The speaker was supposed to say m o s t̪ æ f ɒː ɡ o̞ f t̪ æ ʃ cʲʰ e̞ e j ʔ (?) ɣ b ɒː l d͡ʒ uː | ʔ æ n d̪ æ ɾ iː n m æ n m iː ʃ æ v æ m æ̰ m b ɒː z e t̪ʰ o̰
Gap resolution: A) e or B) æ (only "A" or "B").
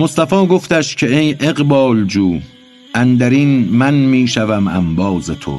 A